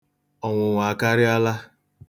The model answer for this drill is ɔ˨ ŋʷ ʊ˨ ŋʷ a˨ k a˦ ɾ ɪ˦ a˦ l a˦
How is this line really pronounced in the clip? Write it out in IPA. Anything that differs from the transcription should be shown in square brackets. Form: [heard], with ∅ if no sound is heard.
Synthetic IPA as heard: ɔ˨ ŋʷ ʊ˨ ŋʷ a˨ k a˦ ɾ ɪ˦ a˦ l a˦